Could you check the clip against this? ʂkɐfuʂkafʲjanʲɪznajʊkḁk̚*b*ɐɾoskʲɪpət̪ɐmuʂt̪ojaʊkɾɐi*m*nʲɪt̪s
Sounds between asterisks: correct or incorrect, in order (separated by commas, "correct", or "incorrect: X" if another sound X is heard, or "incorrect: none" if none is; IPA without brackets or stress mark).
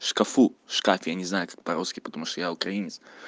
incorrect: p, incorrect: none